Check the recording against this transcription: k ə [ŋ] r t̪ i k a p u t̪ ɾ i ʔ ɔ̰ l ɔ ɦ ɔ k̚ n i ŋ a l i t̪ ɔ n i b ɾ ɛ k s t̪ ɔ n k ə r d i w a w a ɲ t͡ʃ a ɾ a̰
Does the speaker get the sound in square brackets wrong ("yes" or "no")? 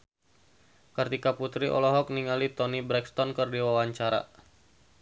yes